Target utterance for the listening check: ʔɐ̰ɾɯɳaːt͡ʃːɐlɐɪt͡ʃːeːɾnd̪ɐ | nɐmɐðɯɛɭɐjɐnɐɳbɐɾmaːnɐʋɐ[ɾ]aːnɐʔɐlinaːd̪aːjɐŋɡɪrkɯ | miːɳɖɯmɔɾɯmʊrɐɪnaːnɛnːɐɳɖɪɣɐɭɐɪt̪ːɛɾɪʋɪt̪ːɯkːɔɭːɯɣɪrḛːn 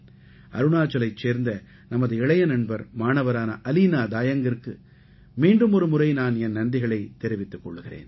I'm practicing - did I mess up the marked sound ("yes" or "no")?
no